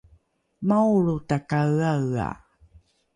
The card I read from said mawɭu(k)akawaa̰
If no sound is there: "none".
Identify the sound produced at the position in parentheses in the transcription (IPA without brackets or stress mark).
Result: t